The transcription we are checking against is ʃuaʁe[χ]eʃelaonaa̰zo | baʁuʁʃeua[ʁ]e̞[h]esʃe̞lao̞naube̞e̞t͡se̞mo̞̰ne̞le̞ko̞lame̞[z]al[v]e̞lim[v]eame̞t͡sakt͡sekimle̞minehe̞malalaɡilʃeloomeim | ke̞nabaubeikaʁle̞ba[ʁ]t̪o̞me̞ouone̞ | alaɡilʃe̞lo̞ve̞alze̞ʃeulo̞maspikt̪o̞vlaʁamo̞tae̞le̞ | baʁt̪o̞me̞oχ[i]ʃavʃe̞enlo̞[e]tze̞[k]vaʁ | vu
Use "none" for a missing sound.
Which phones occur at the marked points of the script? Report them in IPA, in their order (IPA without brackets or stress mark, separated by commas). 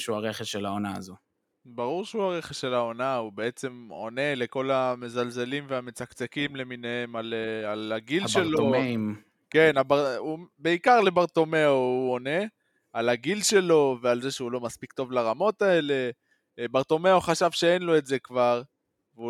χ, ʁ, χ, z, z, v, ʁ, a, e, k